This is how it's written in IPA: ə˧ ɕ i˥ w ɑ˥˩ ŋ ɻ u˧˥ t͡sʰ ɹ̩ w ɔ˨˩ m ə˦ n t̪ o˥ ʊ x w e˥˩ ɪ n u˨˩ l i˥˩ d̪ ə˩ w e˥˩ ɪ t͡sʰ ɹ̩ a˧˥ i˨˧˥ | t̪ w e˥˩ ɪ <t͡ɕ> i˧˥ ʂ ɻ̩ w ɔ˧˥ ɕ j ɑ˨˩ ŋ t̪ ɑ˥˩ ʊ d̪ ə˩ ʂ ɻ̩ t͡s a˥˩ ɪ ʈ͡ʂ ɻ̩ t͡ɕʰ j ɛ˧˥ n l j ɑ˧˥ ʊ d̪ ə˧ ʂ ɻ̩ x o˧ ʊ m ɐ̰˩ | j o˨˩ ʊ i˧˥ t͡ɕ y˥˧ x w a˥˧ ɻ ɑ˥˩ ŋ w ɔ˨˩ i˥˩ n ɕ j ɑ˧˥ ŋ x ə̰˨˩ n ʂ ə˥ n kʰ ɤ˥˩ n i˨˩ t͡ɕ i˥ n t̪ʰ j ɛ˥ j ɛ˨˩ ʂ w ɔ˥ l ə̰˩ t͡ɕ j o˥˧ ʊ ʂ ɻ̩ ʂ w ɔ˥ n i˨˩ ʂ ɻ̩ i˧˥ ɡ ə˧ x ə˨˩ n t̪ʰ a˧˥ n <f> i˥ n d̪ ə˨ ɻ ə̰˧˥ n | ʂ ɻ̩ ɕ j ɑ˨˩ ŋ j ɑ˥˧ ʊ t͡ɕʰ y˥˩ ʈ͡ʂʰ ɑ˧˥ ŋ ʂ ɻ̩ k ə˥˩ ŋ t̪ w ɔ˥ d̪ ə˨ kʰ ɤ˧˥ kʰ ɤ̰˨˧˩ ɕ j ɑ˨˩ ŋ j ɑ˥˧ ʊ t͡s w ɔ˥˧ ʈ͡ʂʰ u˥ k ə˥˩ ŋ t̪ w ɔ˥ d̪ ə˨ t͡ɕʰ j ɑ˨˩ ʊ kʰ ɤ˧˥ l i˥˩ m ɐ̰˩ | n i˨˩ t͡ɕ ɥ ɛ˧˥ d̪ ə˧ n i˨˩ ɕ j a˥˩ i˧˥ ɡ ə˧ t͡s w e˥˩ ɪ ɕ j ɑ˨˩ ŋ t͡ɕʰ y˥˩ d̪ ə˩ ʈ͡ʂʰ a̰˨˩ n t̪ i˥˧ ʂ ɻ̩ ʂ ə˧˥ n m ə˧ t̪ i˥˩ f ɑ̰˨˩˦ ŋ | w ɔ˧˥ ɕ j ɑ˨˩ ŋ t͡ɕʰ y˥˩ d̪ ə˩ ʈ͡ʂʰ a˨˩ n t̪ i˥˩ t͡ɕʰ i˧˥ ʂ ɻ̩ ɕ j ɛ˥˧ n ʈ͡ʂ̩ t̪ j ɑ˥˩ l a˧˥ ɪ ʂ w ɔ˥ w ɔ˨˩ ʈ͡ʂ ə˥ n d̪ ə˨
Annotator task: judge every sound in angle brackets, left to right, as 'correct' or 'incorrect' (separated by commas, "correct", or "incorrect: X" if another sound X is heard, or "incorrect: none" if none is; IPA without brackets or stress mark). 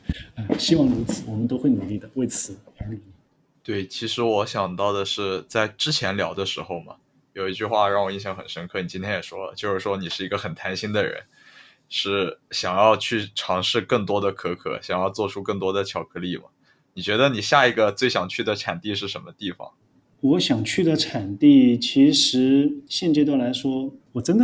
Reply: incorrect: t͡ɕʰ, incorrect: ɕ